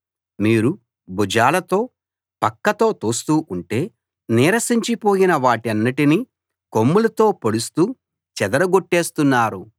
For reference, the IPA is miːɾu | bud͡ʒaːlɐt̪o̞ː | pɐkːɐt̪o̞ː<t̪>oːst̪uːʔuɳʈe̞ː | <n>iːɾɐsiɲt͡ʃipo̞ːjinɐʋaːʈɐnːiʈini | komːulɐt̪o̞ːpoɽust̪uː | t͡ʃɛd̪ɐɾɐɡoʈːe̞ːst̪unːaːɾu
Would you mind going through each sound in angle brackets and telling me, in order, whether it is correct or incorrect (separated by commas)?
correct, correct